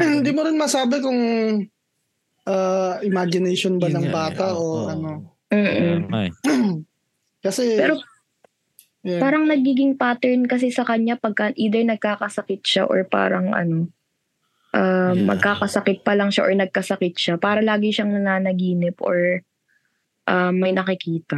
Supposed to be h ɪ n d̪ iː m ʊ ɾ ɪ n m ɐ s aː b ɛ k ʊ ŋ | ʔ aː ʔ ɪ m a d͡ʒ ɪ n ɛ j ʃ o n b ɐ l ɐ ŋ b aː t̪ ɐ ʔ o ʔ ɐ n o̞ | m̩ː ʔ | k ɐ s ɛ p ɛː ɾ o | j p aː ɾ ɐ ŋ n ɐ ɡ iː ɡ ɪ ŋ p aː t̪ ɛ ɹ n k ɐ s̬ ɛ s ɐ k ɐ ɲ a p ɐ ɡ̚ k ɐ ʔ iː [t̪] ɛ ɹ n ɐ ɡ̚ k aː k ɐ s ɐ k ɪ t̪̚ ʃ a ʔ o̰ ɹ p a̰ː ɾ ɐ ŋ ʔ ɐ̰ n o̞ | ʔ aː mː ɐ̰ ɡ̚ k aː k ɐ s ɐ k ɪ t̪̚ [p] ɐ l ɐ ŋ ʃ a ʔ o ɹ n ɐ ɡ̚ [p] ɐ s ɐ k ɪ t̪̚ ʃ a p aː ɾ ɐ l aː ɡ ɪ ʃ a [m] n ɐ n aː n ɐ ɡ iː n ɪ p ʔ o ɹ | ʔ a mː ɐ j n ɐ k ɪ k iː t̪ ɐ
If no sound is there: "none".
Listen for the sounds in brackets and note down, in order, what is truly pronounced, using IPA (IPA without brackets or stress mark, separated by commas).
d̪, p, k, ŋ